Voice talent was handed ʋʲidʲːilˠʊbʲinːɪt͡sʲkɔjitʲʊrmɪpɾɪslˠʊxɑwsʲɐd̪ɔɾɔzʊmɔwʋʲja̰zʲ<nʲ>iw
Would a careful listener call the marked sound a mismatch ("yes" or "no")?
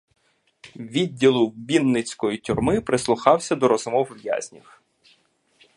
no